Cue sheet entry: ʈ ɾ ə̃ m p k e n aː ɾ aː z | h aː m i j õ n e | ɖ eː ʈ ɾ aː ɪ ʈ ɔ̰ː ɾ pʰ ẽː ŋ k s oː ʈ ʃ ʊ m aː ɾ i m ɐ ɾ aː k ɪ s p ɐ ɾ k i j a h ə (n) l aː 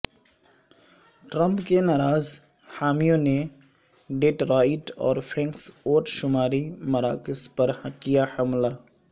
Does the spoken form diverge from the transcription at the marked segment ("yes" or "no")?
yes